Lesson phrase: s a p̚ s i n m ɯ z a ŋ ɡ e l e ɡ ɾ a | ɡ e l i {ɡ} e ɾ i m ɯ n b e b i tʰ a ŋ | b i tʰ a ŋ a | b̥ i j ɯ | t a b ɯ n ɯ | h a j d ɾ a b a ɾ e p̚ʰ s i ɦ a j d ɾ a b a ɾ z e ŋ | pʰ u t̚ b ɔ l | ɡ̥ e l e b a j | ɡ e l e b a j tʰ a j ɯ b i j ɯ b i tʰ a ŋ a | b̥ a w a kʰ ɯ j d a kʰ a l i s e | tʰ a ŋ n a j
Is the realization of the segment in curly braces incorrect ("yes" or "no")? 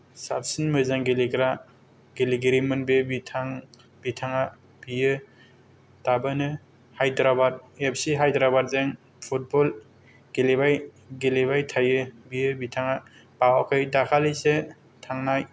no